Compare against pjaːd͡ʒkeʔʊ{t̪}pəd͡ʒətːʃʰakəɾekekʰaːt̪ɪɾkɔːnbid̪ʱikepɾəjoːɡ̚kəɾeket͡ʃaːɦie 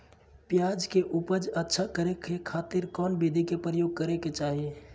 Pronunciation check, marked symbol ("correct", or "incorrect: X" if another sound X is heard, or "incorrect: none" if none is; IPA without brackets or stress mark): incorrect: none